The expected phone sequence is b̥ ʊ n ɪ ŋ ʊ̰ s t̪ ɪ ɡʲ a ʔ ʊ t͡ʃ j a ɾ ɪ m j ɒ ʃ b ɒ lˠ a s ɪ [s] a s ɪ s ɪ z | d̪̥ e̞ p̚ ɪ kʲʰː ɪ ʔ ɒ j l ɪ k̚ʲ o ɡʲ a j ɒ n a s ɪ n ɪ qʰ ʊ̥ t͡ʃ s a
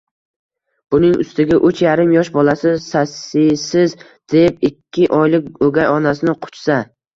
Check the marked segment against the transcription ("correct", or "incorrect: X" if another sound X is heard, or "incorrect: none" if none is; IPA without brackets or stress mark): correct